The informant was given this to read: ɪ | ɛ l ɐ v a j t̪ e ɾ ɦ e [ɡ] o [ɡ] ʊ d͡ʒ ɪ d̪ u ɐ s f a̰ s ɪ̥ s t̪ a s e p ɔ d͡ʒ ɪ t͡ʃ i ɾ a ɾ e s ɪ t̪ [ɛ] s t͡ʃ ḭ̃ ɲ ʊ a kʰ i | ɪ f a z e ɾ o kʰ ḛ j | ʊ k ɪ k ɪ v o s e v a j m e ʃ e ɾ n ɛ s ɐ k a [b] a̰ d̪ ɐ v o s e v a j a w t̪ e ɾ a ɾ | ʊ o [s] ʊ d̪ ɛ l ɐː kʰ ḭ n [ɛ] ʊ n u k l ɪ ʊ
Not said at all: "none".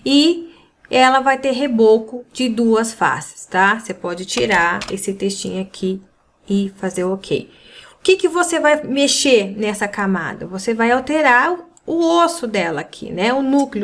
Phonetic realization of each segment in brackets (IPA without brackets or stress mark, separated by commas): b, k, e, m, s, ɛ